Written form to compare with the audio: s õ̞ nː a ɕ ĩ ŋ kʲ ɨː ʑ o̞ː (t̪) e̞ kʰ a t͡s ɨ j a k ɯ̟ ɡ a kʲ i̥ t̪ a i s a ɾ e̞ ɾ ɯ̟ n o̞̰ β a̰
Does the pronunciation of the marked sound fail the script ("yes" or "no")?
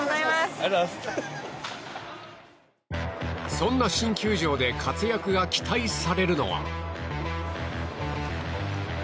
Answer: yes